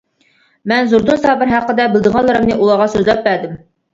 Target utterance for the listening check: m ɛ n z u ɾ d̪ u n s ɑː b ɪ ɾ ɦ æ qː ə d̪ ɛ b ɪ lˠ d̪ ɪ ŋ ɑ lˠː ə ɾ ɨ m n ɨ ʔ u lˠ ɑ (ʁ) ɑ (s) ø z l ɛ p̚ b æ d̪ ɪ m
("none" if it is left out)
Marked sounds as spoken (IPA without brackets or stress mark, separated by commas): ʁ, s